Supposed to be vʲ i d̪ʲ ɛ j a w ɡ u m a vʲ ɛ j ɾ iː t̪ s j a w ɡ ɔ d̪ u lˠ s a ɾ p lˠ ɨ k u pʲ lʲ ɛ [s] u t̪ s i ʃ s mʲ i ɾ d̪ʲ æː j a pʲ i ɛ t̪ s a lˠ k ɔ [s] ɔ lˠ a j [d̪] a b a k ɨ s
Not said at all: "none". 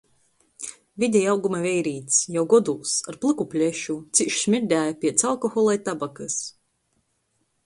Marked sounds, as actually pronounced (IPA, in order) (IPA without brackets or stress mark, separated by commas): ʃ, x, t̪